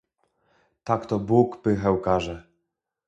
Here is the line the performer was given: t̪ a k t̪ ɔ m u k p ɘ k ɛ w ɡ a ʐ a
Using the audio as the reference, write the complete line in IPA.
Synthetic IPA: t̪ a k t̪ ɔ b u k p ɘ x ɛ w k a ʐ ɛ